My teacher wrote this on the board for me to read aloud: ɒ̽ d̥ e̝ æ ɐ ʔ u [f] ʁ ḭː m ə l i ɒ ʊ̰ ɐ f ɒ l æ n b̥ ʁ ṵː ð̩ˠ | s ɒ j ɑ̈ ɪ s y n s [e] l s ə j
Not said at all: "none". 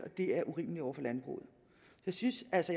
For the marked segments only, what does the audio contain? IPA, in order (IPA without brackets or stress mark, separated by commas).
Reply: none, æ